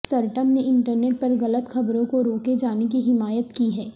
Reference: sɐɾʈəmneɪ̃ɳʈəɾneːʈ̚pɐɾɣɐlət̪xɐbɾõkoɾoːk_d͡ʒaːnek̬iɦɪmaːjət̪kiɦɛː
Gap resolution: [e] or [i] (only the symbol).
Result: e